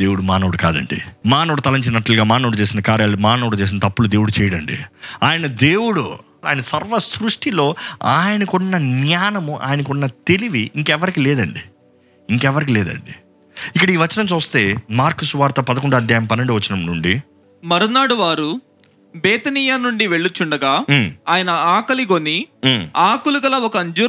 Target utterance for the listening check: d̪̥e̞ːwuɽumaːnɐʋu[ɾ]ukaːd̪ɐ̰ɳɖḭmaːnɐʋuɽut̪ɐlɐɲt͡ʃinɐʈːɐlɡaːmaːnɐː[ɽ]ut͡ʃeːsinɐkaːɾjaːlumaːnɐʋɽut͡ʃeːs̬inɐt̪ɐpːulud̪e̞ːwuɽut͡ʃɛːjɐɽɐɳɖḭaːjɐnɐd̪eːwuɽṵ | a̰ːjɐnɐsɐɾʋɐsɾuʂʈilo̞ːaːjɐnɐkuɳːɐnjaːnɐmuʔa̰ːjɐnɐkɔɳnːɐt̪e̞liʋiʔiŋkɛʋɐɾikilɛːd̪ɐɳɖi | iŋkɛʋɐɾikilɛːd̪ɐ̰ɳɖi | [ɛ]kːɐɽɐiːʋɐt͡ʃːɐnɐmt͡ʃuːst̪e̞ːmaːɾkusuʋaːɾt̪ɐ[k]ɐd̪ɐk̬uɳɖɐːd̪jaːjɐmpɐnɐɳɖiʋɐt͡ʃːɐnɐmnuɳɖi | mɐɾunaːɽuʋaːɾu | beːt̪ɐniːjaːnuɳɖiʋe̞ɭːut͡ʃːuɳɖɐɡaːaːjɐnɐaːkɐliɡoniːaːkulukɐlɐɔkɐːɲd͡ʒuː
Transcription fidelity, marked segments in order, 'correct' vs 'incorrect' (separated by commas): incorrect, correct, incorrect, incorrect